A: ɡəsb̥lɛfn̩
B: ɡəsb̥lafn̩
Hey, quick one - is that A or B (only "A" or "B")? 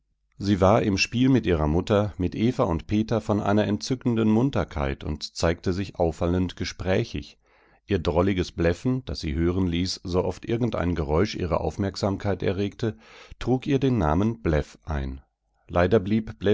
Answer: A